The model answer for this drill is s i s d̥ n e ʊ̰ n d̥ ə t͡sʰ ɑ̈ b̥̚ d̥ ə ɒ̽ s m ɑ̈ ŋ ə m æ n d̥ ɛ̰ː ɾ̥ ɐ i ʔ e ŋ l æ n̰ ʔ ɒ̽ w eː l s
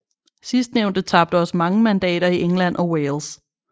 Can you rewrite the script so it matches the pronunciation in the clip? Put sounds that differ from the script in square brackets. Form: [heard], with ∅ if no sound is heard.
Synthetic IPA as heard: s i s d̥ n e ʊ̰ n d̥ ə t͡sʰ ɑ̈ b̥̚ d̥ ə ɒ̽ s m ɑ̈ ŋ ə m æ n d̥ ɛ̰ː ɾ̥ ɐ i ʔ e ŋ l æ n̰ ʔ ɒ̽ w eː l s